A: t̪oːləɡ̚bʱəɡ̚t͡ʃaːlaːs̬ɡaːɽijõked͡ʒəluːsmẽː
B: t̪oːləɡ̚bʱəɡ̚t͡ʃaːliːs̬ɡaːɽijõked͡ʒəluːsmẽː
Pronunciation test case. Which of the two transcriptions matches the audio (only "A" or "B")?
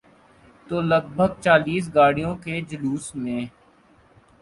B